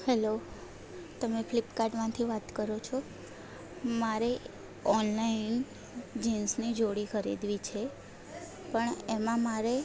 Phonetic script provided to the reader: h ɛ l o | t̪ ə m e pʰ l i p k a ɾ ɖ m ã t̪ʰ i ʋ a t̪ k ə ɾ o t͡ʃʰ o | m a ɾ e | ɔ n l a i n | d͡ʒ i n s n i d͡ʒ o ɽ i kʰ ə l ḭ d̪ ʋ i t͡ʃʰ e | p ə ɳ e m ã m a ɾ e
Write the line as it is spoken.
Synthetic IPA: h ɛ l o | t̪ ə m e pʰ l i p k a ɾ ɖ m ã t̪ʰ i ʋ a t̪ k ə ɾ o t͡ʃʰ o | m a ɾ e | ɔ n l a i n | d͡ʒ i n s n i d͡ʒ o ɽ i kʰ ə ɾ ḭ d̪ ʋ i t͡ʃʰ e | p ə ɳ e m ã m a ɾ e